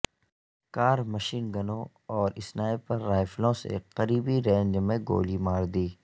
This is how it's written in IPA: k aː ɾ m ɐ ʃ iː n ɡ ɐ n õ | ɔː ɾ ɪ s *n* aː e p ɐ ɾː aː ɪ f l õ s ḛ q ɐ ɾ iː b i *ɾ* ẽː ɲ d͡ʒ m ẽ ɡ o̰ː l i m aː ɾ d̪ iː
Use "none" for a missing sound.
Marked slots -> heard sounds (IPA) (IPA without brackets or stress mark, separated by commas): n, ɾ